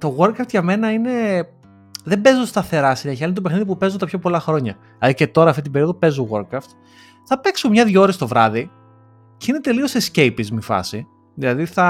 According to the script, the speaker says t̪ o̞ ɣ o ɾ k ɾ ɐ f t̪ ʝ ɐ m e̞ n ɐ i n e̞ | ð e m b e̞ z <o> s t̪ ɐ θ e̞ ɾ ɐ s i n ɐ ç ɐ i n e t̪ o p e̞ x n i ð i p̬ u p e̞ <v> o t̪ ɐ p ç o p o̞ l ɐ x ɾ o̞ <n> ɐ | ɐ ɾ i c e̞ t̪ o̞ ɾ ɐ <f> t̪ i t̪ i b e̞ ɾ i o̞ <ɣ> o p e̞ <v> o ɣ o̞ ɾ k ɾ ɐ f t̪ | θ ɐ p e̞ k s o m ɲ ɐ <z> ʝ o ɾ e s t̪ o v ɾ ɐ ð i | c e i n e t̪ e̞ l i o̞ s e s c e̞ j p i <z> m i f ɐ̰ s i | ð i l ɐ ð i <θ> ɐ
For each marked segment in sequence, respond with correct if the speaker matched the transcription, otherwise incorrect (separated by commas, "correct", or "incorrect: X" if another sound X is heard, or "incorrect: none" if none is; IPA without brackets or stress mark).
correct, incorrect: z, incorrect: ɲ, correct, incorrect: ð, incorrect: z, incorrect: ð, correct, correct